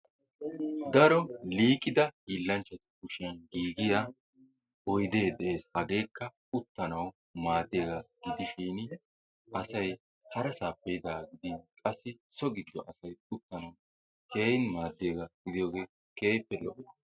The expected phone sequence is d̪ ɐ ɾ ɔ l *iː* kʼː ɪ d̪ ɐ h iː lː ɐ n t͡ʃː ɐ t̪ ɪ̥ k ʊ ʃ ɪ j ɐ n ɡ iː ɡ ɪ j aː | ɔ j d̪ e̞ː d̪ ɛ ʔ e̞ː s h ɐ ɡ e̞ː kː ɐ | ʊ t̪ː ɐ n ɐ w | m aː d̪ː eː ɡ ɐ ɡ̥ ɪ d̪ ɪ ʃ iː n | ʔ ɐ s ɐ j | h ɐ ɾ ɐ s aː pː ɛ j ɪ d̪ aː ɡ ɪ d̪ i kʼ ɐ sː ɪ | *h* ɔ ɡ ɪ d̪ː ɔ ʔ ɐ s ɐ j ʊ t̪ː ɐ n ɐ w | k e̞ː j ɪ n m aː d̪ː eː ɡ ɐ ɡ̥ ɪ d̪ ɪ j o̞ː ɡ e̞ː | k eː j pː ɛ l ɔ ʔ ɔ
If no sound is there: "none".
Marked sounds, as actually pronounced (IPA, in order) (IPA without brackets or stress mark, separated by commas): iː, s